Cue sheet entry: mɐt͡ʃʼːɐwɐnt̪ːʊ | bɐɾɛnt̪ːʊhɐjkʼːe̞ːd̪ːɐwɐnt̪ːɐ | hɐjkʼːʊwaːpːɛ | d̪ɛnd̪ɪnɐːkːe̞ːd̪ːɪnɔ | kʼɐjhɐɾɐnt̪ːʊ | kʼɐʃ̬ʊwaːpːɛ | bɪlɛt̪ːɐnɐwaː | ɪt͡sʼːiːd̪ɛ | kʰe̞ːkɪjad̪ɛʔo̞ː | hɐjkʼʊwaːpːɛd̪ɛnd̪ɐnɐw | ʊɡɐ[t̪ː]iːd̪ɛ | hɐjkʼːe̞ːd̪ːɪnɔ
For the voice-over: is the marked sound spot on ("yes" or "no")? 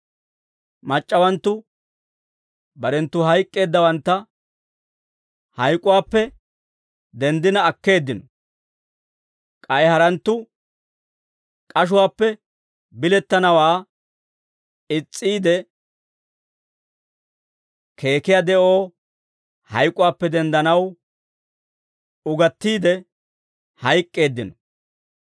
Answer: yes